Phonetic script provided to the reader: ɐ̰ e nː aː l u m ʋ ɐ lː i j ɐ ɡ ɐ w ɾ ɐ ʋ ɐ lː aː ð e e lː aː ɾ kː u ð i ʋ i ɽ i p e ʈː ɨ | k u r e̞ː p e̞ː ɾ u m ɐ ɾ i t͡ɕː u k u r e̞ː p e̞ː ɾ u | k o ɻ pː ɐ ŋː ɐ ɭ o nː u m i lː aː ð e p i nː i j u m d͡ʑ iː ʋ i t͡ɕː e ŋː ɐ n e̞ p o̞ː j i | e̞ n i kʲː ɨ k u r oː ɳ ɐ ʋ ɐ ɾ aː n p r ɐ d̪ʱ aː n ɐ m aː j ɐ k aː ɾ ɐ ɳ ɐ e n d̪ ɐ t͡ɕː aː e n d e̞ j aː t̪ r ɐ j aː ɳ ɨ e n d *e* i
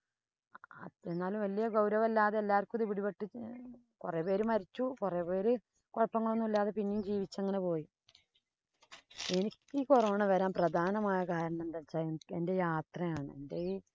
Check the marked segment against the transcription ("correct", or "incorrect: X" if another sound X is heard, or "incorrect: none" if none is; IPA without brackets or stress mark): correct